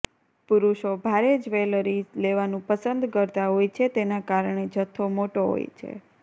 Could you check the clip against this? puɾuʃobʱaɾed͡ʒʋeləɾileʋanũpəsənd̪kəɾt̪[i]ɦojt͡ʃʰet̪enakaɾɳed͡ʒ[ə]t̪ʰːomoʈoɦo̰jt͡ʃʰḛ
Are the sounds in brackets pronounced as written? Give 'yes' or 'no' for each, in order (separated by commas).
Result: no, yes